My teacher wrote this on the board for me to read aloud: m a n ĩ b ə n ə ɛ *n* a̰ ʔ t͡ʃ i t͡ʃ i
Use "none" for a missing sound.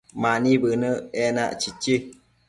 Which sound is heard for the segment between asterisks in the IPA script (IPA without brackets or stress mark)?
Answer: n